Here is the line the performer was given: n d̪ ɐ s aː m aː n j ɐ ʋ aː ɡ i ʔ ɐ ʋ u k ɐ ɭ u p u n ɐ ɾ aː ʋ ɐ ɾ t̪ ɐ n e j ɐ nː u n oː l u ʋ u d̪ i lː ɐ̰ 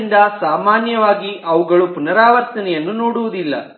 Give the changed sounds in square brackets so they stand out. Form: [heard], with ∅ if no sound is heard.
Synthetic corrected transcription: n d̪ ɐ s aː m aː n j ɐ ʋ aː ɡ i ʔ ɐ ʋ u [ɡ] ɐ ɭ u p u n ɐ ɾ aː ʋ ɐ ɾ t̪ ɐ n [ɛ] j ɐ nː u n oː [ɽ] u ʋ u d̪ i lː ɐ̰